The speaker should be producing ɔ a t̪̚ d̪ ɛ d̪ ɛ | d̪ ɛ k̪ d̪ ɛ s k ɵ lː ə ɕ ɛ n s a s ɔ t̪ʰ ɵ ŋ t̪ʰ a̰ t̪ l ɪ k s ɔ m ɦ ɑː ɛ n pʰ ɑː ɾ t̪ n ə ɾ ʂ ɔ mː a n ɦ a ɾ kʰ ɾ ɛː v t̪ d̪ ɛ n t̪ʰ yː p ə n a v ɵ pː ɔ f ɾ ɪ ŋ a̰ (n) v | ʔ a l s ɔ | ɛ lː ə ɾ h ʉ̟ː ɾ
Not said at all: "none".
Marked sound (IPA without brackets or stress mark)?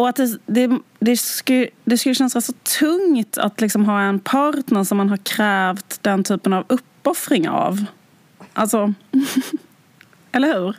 none